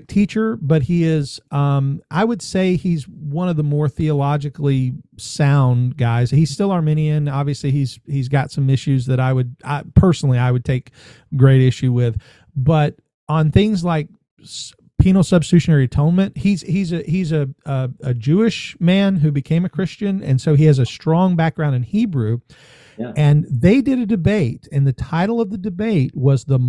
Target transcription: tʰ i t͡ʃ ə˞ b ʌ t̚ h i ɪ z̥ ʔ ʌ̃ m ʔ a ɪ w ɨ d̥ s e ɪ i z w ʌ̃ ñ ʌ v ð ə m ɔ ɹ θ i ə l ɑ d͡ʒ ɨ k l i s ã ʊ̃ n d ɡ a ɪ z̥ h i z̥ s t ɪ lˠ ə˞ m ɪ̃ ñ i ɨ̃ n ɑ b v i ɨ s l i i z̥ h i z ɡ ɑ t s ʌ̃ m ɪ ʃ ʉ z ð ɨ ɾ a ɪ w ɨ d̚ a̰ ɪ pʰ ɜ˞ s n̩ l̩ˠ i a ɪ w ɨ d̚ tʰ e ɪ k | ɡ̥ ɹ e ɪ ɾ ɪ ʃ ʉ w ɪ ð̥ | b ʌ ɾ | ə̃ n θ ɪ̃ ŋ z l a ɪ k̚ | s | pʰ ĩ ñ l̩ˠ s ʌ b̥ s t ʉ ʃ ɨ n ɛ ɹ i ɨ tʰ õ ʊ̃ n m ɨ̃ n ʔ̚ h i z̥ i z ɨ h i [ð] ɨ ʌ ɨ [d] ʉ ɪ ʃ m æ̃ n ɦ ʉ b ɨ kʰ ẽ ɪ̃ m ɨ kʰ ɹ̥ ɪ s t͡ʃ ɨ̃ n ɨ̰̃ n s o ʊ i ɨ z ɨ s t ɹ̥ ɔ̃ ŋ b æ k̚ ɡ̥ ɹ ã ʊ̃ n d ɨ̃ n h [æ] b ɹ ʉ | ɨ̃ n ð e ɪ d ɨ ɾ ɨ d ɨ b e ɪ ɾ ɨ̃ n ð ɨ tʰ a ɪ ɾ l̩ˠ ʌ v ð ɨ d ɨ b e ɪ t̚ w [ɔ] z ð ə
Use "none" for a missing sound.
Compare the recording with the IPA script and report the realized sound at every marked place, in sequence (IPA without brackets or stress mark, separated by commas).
z, d͡ʒ, i, ʌ